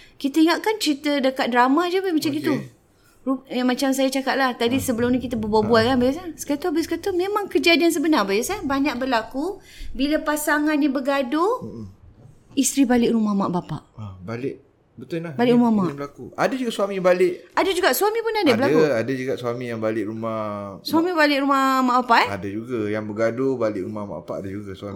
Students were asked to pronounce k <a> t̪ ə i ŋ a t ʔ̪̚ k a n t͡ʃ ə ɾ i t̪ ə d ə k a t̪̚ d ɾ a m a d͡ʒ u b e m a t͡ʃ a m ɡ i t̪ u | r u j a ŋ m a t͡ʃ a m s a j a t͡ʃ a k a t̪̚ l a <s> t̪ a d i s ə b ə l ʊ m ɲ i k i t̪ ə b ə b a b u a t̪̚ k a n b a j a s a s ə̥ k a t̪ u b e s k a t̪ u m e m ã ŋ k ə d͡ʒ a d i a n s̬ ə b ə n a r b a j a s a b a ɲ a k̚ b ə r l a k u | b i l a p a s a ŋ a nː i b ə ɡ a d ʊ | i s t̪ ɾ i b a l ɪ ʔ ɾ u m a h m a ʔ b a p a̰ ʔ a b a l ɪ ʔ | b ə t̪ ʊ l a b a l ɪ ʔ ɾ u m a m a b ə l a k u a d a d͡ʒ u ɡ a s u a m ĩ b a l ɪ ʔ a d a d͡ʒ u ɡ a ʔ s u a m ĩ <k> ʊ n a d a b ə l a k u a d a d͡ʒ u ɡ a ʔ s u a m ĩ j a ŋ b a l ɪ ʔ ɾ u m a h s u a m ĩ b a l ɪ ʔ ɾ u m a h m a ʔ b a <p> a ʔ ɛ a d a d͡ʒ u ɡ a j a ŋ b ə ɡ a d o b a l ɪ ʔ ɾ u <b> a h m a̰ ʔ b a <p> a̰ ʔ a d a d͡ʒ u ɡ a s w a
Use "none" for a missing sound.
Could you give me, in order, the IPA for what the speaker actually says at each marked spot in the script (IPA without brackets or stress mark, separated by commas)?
i, h, p, p, m, p